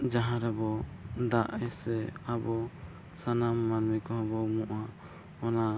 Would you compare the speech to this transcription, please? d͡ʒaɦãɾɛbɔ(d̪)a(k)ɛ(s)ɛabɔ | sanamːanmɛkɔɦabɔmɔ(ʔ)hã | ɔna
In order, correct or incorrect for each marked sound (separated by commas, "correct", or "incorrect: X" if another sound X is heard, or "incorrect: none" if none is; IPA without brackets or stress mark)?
correct, incorrect: ʔ, correct, correct